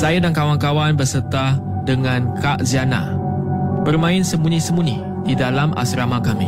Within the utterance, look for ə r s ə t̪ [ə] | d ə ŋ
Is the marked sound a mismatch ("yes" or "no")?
yes